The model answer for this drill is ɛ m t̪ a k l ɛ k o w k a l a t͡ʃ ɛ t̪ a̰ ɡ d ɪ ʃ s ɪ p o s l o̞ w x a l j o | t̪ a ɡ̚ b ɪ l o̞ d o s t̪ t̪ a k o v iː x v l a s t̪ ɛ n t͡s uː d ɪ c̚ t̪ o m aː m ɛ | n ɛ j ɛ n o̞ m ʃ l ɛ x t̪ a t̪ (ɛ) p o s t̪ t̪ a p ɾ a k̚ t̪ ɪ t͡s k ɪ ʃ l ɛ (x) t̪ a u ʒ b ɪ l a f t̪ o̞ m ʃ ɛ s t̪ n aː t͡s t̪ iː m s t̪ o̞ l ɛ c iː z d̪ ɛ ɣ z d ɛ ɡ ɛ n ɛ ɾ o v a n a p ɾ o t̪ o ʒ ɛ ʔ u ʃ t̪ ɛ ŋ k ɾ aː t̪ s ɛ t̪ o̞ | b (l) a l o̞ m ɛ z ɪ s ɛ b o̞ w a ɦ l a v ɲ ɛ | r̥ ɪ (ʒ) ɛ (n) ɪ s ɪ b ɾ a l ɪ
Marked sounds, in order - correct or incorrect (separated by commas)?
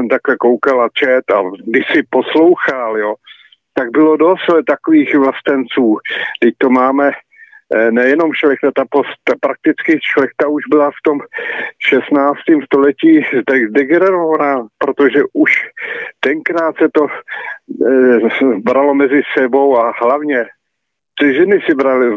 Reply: incorrect, correct, incorrect, correct, correct